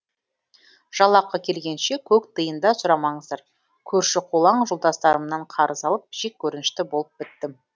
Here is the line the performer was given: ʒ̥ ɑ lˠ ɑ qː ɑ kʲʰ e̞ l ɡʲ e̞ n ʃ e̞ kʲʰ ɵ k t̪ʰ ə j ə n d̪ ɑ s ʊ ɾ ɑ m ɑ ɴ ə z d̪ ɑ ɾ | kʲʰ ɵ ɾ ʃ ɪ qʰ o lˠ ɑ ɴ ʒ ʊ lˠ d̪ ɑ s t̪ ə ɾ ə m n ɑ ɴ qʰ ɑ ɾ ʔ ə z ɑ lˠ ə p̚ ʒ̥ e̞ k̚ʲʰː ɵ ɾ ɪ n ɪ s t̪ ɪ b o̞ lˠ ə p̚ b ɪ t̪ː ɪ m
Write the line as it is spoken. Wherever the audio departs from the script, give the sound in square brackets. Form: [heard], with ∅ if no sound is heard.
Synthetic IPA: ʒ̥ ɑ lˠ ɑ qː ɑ kʲʰ e̞ l ɡʲ e̞ n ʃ e̞ kʲʰ ɵ k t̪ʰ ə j ə n d̪ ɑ s ʊ ɾ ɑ m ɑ ɴ ə z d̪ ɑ ɾ | kʲʰ ɵ ɾ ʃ ɪ qʰ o lˠ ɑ ɴ ʒ ʊ lˠ d̪ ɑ s t̪ [ɑ] ɾ ə m n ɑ ɴ qʰ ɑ ɾ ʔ ə z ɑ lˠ ə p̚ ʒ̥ e̞ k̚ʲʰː ɵ ɾ ɪ n ɪ [ʃ] t̪ ɪ b o̞ lˠ ə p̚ b ɪ t̪ː ɪ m